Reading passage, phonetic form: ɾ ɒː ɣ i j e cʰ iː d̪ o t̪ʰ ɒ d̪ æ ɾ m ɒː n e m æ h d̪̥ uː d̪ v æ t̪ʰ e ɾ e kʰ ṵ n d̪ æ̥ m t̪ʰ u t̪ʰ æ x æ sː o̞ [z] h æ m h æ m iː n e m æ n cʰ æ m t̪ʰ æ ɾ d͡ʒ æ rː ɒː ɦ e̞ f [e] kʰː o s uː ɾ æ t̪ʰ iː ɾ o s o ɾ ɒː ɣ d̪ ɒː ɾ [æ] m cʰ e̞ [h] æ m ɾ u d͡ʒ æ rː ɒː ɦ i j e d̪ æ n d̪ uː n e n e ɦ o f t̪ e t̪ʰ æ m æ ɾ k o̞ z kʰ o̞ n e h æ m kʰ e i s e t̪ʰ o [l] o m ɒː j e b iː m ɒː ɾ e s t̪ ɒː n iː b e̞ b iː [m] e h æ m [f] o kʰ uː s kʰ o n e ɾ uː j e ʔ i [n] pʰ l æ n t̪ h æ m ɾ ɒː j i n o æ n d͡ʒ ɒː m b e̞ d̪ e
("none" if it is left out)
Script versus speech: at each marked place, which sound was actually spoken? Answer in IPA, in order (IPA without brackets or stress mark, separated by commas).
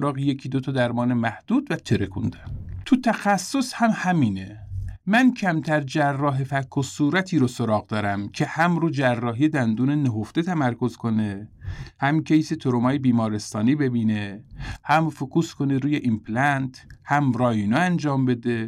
s, æ, æ, h, ɾ, n, f, m